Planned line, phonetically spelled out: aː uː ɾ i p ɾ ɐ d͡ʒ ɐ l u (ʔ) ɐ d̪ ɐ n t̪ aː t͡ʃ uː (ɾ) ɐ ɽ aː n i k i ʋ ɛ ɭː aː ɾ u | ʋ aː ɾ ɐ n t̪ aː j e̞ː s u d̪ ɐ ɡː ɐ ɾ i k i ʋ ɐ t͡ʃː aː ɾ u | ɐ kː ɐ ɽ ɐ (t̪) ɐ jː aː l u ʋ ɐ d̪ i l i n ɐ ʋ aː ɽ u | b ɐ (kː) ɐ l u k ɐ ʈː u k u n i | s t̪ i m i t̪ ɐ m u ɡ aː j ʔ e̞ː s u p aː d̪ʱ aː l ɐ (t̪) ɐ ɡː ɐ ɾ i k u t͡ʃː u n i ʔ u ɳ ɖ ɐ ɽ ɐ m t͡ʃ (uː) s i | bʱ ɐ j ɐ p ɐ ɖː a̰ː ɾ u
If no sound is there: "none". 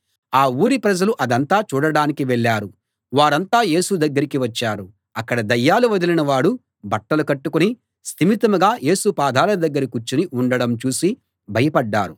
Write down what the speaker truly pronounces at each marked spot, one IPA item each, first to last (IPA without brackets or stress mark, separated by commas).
ʔ, ɽ, d̪, ʈː, d̪, uː